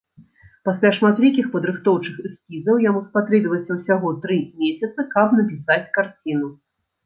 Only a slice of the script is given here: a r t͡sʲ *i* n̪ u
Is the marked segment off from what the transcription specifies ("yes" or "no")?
no